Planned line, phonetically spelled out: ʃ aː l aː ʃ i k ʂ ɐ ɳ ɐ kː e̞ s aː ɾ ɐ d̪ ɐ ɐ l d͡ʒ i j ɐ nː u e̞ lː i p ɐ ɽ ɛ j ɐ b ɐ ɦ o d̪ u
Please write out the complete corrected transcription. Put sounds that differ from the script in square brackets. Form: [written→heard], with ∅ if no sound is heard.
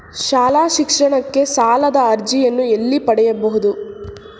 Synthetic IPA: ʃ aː l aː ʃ i k ʂ ɐ ɳ ɐ kː e̞ s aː [ɾ→l] ɐ d̪ ɐ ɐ [l→ɾ] d͡ʒ i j ɐ nː u e̞ lː i p ɐ ɽ ɛ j ɐ b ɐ ɦ [o→u] d̪ u